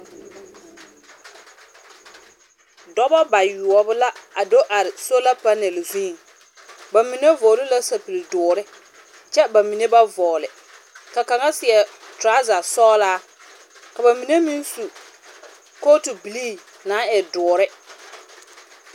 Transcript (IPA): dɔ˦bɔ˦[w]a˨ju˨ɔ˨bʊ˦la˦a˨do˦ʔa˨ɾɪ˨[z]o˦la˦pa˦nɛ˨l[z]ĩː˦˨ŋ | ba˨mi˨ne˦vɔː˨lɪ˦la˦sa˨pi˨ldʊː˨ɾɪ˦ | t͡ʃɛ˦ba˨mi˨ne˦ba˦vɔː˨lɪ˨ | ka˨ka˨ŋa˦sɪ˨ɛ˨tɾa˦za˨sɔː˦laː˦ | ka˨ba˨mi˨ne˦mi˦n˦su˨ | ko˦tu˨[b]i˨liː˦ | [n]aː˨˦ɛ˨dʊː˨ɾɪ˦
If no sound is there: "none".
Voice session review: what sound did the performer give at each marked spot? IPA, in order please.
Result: b, s, z, b, n

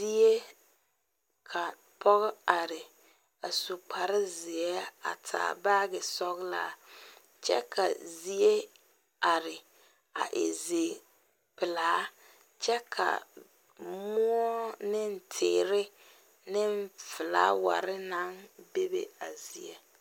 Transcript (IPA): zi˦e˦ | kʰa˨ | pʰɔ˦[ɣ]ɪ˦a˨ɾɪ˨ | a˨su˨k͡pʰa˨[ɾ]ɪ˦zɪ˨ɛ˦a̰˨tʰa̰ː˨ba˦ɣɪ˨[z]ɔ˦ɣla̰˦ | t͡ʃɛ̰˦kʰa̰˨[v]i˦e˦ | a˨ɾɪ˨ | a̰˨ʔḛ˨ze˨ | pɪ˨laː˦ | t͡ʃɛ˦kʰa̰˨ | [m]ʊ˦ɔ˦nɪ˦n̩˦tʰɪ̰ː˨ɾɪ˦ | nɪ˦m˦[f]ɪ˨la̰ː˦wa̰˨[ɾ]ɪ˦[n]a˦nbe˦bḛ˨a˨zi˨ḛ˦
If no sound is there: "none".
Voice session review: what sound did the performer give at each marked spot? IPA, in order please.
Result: ɣ, ɾ, s, z, m, f, ɾ, n

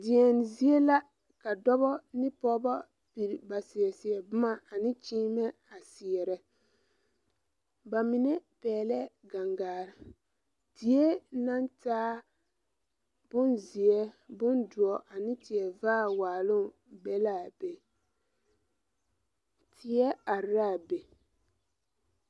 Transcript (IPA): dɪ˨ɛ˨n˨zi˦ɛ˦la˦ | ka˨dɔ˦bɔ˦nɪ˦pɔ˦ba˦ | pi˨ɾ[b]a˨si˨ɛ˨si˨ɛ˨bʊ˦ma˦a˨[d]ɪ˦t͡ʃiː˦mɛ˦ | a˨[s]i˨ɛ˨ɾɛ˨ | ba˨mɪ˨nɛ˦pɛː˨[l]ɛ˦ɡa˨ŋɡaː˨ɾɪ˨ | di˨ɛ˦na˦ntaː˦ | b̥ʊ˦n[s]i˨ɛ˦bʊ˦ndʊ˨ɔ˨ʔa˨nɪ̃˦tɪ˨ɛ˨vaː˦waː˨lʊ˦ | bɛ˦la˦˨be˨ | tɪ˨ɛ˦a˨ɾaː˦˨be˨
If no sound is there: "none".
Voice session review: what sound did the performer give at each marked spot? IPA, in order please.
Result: b, n, s, l, z

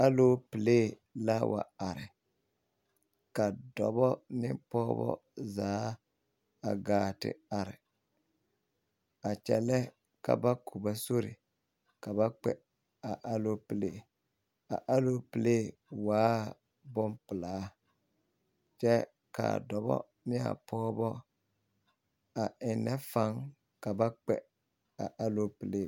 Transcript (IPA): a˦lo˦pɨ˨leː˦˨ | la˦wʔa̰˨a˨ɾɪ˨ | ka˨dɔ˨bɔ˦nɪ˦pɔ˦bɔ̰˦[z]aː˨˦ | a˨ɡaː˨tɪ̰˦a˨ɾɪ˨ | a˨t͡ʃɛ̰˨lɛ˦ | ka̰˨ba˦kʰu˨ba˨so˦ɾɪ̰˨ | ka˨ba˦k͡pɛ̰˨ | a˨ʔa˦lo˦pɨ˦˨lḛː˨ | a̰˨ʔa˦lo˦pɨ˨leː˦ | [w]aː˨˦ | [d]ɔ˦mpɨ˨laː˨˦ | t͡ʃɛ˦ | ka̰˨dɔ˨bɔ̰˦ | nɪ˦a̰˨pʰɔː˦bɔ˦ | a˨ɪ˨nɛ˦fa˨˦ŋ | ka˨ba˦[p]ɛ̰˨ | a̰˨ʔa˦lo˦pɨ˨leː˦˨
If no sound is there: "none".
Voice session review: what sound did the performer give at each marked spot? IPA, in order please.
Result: z, w, b, k͡p

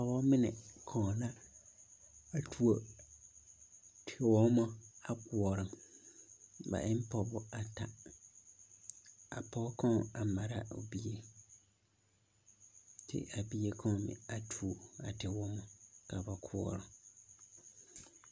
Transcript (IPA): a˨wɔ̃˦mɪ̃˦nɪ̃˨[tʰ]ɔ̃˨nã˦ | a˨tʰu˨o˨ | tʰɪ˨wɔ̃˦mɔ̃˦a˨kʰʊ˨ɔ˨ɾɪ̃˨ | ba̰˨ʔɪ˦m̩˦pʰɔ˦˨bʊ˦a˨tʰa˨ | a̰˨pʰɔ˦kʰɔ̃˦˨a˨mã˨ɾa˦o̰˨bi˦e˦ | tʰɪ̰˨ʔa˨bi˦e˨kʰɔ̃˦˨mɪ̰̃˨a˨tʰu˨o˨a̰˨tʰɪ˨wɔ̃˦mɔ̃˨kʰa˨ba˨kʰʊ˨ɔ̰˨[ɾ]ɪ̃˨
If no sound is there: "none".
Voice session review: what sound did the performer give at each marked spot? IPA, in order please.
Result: kʰ, ɾ

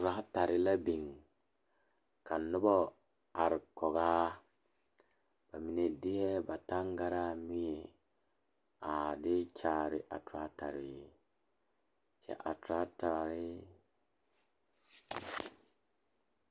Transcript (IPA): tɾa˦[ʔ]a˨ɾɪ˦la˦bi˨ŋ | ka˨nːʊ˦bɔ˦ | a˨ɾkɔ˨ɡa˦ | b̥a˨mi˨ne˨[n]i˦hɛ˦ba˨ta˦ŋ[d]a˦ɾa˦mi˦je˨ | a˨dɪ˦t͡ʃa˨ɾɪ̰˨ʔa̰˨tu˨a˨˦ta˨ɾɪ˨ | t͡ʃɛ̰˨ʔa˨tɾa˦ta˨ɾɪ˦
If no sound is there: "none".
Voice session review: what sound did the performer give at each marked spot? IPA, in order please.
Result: t, d, ɡ

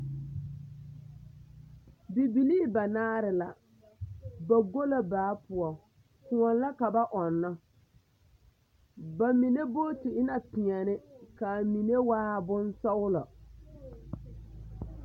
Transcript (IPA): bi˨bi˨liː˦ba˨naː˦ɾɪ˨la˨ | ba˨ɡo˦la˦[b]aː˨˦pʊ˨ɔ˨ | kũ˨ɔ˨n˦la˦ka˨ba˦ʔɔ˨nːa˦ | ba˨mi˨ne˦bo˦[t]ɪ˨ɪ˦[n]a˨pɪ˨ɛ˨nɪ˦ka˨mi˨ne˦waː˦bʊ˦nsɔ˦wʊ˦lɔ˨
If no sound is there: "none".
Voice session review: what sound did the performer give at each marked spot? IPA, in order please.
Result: b, t, n

